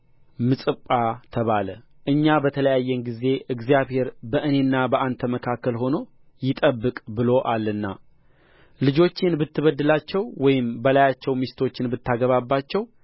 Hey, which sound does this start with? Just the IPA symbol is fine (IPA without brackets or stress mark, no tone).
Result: m